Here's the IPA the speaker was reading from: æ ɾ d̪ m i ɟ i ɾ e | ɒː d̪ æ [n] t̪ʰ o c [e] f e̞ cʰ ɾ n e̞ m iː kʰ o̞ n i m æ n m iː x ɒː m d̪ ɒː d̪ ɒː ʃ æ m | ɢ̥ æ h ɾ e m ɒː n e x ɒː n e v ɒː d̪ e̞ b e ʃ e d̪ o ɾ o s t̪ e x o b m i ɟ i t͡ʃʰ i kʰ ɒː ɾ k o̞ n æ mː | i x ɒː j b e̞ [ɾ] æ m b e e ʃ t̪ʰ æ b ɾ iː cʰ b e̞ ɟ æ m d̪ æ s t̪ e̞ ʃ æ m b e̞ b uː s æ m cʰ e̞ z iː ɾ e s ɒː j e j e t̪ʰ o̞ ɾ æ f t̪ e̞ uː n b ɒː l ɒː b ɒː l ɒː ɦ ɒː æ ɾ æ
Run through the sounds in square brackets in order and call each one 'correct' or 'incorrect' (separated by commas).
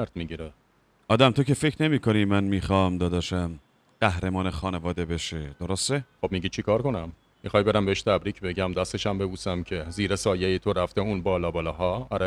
incorrect, correct, correct